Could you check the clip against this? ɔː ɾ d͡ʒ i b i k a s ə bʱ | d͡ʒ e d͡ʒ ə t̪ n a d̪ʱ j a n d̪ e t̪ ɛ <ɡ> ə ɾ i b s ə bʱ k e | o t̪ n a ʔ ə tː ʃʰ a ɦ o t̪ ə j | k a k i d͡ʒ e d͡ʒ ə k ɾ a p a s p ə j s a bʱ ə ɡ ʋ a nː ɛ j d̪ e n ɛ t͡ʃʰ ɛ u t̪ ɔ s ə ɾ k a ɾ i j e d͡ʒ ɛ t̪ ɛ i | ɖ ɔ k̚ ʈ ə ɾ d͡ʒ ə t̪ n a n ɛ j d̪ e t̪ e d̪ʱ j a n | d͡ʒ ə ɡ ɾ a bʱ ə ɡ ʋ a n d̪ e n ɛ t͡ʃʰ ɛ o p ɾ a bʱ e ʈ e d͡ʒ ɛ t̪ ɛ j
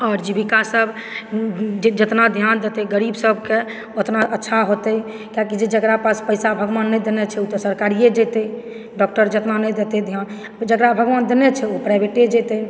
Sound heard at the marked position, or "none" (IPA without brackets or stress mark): ɡ